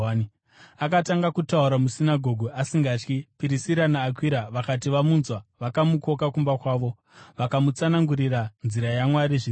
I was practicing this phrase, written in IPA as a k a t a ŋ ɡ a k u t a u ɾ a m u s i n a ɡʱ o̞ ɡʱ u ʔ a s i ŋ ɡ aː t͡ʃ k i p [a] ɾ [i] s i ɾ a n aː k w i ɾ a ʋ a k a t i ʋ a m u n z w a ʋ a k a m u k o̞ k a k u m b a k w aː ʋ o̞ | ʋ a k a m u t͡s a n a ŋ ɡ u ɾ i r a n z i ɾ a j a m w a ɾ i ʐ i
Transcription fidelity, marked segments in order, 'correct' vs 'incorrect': incorrect: i, correct

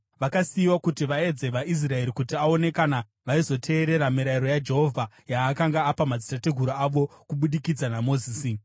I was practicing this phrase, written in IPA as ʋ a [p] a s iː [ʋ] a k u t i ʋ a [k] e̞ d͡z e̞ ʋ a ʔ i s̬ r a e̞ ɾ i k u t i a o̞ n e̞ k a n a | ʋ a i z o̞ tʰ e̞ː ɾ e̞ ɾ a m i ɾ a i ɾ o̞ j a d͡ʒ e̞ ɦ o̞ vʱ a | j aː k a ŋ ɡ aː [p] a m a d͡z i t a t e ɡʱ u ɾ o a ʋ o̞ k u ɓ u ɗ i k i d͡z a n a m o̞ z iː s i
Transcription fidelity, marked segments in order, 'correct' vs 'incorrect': incorrect: k, incorrect: w, incorrect: none, correct

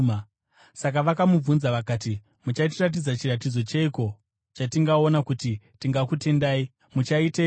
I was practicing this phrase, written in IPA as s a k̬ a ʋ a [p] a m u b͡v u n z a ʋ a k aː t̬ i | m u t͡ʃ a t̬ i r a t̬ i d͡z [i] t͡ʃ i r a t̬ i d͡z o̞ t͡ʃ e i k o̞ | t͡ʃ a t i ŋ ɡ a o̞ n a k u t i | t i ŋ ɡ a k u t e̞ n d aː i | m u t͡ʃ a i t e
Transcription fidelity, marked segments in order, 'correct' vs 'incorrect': incorrect: k, incorrect: a

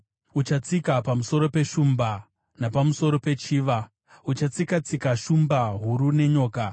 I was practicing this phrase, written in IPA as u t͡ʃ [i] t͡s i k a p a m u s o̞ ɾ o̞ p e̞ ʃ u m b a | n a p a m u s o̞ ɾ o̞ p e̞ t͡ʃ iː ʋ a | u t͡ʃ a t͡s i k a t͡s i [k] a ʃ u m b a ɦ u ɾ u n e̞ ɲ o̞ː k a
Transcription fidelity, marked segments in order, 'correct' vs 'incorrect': incorrect: a, correct

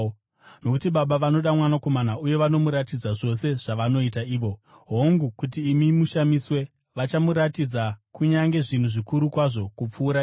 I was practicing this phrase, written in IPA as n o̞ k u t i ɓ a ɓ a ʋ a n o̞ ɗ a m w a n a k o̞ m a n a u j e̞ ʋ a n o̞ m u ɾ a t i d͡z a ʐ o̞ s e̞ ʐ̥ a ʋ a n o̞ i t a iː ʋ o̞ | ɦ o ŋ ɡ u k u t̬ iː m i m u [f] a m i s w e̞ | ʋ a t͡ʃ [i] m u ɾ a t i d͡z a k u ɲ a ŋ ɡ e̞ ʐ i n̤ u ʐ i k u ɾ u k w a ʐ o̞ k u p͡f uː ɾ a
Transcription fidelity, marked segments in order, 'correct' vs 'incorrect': incorrect: ʃ, incorrect: a

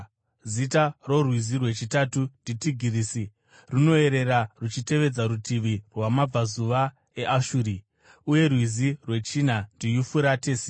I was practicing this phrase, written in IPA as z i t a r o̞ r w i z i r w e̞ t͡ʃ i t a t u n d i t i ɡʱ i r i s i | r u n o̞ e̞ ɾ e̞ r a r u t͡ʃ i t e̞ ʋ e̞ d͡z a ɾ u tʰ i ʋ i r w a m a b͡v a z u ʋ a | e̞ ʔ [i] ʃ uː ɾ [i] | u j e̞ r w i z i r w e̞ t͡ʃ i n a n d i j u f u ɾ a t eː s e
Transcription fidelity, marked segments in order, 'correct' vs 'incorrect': incorrect: a, correct

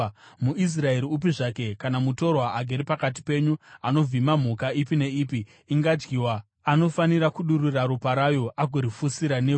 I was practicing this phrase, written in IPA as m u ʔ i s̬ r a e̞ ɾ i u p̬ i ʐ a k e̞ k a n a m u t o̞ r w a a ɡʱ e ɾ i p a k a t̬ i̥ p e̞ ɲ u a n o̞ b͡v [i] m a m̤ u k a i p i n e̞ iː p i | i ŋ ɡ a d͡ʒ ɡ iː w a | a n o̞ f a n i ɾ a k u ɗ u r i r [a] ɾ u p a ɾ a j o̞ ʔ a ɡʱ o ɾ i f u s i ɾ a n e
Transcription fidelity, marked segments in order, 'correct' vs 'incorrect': correct, correct

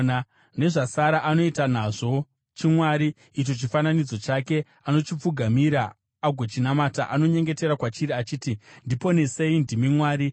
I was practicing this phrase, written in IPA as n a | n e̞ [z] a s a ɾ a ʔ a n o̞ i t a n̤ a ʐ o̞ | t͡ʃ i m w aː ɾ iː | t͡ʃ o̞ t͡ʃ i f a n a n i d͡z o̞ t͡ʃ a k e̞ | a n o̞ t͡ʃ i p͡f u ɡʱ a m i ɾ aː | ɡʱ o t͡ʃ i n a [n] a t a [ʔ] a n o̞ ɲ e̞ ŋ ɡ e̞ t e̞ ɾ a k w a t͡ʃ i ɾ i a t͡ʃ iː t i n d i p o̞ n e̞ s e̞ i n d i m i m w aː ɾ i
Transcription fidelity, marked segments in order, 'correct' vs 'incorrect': incorrect: ʐ, incorrect: m, correct

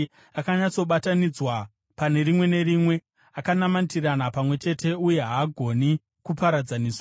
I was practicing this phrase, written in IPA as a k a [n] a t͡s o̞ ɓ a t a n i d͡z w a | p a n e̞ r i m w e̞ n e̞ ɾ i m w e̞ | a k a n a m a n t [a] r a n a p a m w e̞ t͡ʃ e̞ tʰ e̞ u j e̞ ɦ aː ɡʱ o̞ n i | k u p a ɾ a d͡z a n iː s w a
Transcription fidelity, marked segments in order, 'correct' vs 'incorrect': incorrect: ɲ, incorrect: i

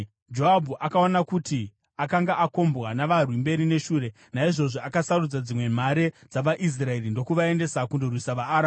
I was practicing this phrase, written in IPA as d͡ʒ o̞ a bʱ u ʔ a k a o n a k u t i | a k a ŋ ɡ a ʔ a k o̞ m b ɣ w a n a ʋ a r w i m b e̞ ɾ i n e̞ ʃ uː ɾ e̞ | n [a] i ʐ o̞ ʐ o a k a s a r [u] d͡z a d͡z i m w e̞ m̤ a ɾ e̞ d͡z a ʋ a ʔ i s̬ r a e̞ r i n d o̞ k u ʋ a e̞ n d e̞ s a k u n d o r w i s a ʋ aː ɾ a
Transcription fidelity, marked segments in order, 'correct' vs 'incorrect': correct, correct

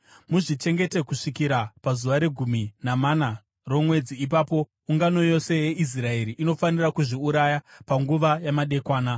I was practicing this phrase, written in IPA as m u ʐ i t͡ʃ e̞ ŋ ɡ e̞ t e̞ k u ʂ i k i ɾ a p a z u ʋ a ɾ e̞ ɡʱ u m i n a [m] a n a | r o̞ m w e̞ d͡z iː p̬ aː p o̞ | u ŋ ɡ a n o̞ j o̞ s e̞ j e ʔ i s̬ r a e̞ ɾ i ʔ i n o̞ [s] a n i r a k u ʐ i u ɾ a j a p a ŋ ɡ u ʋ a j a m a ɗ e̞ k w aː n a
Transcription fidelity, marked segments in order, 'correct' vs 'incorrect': correct, incorrect: f

